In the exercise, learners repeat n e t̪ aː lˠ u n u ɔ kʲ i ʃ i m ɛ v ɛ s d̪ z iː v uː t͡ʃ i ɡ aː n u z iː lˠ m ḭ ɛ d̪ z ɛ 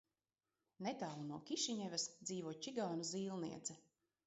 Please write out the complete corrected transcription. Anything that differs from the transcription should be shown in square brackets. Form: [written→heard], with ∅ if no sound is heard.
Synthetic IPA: n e t̪ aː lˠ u n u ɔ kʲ i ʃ i [m→ɲ] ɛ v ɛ s d̪ z iː v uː t͡ʃ i ɡ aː n u z iː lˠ [m→n] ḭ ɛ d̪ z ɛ